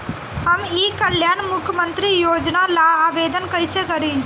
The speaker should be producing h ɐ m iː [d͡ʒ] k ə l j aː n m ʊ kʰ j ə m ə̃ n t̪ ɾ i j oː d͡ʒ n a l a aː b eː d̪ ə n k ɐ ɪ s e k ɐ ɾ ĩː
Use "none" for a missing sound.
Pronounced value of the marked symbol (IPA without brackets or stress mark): none